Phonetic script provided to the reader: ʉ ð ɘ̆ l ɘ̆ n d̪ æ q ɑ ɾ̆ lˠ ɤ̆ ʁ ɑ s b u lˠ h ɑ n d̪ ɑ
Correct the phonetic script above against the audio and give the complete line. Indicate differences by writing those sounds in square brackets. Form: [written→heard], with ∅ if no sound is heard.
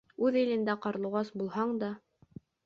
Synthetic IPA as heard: ʉ ð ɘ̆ l ɘ̆ n d̪ æ q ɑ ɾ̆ lˠ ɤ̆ ʁ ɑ s b u lˠ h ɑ [n→ɴ] d̪ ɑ